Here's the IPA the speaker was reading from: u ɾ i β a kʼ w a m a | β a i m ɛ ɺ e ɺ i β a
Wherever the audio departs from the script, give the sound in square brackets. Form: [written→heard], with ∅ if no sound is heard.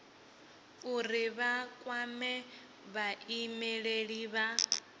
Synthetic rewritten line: u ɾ i β a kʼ w a m [a→ɛ] | β a i m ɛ ɺ e ɺ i β a